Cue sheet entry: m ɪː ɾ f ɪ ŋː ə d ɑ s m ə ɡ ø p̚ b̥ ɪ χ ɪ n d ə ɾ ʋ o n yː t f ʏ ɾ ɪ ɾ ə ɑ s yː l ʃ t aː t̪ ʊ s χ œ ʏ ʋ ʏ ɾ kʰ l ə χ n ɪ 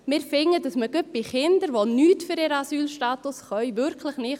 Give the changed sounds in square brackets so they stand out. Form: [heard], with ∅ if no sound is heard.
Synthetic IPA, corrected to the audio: m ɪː ɾ f ɪ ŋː ə d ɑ s m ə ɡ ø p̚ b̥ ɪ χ ɪ n d ə ɾ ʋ o n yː t f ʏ ɾ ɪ ɾ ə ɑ s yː l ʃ t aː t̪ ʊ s χ œ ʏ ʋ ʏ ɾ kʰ l ə χ n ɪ